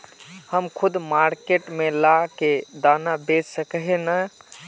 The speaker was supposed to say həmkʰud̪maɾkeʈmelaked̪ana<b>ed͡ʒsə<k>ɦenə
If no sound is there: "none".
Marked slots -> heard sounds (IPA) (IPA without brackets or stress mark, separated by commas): b, k